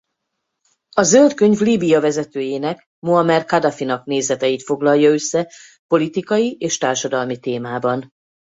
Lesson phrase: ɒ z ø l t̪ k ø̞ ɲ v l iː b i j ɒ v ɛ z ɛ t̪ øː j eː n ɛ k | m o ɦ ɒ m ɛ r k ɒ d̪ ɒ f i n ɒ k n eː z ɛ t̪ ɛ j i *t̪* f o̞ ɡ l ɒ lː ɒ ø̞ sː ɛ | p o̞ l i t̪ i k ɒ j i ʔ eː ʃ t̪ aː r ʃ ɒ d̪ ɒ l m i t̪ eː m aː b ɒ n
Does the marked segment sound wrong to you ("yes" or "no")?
no